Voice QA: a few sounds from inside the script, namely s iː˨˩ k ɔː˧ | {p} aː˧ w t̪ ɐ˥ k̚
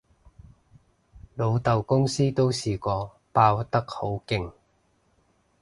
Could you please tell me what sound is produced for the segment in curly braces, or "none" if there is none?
p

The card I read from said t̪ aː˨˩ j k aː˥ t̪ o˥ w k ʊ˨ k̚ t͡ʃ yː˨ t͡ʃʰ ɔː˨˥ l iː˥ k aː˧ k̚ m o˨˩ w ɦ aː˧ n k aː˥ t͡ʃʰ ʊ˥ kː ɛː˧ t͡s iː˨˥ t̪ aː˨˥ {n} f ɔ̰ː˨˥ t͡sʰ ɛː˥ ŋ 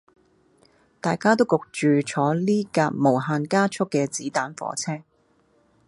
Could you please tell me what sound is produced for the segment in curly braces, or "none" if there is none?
n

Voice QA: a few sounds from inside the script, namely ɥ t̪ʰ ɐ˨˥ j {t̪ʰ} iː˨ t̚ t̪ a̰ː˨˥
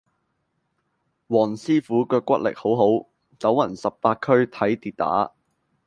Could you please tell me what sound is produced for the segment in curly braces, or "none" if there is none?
t̪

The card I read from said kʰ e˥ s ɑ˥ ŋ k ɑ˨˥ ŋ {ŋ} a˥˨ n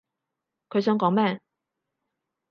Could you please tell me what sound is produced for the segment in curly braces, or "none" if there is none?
m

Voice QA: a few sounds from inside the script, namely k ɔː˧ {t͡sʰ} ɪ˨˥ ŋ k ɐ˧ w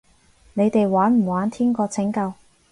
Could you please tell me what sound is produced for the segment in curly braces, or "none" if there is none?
t͡sʰ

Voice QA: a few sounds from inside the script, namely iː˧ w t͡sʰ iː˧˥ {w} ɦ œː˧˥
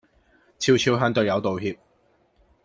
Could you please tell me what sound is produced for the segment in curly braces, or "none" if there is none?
w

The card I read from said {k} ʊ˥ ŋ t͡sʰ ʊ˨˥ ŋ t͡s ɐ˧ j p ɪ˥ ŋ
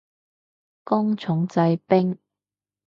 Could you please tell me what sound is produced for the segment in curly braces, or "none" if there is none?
k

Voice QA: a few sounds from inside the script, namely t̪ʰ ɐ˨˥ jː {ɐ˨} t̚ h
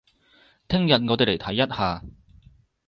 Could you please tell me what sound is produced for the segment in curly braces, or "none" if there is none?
ɐ˥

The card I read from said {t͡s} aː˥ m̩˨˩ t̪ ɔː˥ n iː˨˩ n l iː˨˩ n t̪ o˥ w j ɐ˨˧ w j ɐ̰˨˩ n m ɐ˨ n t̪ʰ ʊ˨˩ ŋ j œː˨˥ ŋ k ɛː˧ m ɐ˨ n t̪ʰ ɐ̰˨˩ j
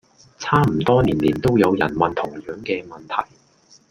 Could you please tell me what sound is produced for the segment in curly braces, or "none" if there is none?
t͡sʰ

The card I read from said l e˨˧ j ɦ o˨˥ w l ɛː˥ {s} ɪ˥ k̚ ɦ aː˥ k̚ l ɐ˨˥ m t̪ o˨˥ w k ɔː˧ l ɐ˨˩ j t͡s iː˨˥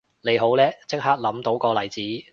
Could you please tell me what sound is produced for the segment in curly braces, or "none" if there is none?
t͡s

